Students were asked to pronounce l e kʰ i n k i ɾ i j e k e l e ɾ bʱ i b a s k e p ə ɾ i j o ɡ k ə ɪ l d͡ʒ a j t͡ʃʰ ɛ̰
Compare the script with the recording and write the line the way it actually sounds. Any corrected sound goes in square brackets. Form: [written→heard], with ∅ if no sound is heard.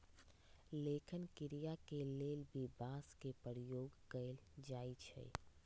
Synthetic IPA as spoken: l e kʰ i n k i ɾ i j [e→a] k e l e [ɾ→l] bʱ i b a s k e p ə ɾ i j o ɡ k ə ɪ l d͡ʒ a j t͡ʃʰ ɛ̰